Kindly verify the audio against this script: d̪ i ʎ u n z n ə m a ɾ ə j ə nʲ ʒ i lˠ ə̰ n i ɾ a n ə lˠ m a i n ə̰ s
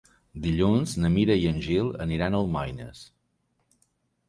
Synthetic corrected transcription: d̪ i ʎ u n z n ə m i ɾ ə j ə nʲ ʒ i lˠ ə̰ n i ɾ a n ə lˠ m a j n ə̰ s

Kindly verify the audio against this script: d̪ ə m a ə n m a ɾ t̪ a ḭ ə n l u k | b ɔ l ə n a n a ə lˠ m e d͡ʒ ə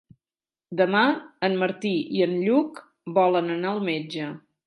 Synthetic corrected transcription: d̪ ə m a ə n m ə ɾ t̪ i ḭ ə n ʎ u k | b ɔ l ə n ə n a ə lˠ m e d͡ʒ ə

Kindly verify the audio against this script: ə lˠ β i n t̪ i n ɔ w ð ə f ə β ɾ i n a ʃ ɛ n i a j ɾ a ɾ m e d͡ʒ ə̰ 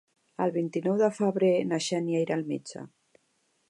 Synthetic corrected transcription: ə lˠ β i n t̪ i n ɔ w ð ə f ə β ɾ e n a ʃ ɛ n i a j ɾ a l m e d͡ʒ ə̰

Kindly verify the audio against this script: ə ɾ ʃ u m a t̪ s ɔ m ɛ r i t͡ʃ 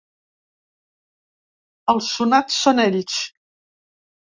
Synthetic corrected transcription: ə l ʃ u n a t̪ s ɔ n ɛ l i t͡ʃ

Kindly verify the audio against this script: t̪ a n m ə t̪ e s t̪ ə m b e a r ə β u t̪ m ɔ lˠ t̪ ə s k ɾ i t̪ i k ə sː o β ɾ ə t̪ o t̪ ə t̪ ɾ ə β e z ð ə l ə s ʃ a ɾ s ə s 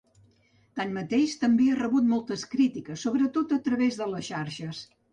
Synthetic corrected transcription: t̪ a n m ə t̪ e ʃ t̪ ə m b e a r ə β u t̪ m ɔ lˠ t̪ ə s k ɾ i t̪ i k ə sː o β ɾ ə t̪ o t̪ ə t̪ ɾ ə β e z ð ə l ə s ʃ a ɾ ʃ ə s

